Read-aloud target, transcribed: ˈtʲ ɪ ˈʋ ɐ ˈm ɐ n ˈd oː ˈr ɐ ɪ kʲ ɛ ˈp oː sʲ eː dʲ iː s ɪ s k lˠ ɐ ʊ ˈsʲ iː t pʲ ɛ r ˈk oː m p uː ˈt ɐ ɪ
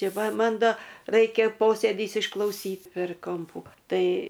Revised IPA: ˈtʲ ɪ ˈʋ ɐ ˈm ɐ n ˈd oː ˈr ɐ ɪ kʲ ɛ ˈp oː sʲ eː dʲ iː s ɪ ʃ k lˠ ɐ ʊ ˈsʲ iː t pʲ ɛ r ˈk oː m p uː ˈt ɐ ɪ